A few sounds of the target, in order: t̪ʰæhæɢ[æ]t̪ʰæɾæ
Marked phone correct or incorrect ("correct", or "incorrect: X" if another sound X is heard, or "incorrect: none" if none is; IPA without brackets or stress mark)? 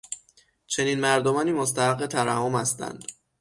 incorrect: e